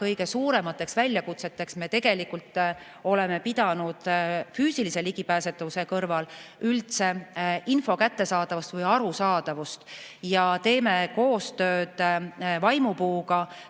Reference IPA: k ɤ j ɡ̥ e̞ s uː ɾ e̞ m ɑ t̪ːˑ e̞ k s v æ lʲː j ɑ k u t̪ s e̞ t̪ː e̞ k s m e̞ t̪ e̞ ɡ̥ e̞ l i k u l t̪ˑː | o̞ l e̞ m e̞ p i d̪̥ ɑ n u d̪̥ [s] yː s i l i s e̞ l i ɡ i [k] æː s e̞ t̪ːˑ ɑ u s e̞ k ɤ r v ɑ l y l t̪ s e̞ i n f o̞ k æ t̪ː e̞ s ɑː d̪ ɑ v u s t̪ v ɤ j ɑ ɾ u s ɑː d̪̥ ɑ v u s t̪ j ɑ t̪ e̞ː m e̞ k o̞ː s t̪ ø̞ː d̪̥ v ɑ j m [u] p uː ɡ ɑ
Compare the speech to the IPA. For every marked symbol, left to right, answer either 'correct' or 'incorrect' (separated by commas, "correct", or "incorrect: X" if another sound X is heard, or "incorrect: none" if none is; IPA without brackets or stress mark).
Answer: incorrect: f, incorrect: p, correct